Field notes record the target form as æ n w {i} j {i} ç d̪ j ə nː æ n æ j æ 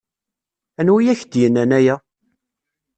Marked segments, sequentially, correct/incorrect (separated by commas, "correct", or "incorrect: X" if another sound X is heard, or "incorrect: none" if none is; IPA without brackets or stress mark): correct, incorrect: æ